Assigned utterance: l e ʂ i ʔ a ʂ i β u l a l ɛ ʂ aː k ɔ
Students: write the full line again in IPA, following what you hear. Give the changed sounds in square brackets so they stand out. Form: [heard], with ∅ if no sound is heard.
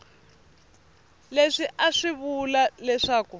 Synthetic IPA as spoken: l e ʂ i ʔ a ʂ i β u l a l ɛ ʂ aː k [u]

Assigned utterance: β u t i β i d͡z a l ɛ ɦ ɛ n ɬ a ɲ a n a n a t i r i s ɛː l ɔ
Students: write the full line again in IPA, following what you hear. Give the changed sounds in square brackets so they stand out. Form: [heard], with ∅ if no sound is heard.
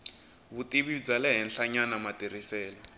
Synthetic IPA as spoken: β u t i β i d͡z a l ɛ ɦ ɛ n ɬ a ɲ a n a [m] a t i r i s ɛː l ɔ

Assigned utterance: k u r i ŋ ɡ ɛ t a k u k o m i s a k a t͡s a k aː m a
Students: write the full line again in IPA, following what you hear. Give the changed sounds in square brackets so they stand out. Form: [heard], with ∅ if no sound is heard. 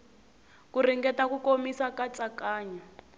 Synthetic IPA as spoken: k u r i ŋ ɡ ɛ t a k u k o m i s a k a t͡s a k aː [ɲ] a

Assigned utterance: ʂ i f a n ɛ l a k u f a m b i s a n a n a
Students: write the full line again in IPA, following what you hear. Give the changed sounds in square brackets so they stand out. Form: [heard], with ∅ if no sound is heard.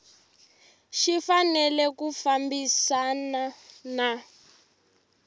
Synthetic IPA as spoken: [ʃ] i f a n ɛ l [ɛ] k u f a m b i s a n a n a

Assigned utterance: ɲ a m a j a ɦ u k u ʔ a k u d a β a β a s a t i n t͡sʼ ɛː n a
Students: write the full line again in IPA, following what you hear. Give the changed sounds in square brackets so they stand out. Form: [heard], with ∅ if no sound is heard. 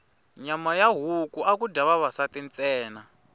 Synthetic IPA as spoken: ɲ a m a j a ɦ u k u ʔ a k u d a β a β a s a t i n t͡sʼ ɛː n a

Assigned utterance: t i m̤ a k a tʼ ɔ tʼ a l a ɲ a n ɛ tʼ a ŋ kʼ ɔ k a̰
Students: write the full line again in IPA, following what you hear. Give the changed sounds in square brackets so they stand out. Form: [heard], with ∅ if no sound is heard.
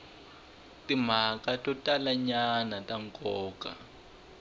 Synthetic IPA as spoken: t i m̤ a k a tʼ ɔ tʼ a l a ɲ a n [a] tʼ a ŋ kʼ [ɔː] k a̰

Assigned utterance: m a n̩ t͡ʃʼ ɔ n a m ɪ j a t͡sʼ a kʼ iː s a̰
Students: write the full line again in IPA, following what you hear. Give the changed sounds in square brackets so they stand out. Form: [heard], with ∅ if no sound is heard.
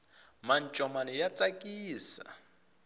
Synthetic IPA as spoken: m a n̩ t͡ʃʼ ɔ [m] a [n] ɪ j a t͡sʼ a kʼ iː s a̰

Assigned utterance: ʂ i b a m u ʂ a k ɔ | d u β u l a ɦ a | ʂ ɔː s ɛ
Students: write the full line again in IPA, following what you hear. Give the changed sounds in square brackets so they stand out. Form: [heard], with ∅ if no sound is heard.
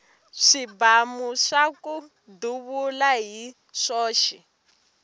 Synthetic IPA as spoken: ʂ i b a m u ʂ a k [u] | d u β u l a ɦ [i] | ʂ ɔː [ʃ] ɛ

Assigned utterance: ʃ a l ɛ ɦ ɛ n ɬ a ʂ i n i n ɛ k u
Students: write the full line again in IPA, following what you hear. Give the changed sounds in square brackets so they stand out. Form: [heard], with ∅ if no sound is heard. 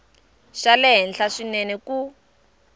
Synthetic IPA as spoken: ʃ a l ɛ ɦ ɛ n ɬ a ʂ i n [ɛ] n ɛ k u

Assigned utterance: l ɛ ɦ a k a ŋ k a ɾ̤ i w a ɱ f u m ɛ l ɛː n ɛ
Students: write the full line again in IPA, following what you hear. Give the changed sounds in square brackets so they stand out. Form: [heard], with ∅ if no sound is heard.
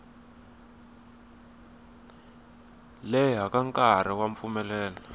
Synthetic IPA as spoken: l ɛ ɦ a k a ŋ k a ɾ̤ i w a ɱ f u m ɛ l ɛː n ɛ

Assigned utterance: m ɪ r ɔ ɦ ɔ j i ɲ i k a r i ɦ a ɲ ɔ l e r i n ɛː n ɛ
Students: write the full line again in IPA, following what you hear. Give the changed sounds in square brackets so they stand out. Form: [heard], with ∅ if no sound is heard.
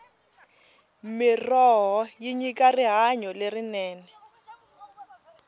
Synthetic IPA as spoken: m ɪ r ɔ ɦ ɔ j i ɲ i k a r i ɦ a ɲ ɔ l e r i n ɛː n ɛ

